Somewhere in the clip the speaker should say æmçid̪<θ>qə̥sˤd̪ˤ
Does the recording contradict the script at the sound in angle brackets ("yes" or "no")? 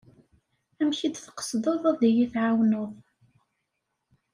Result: no